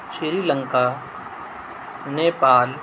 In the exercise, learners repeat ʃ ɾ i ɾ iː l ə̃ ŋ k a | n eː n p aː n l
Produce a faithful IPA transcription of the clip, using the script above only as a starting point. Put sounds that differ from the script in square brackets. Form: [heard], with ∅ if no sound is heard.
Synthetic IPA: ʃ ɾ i ɾ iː l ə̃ ŋ k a | n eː [∅] p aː [∅] l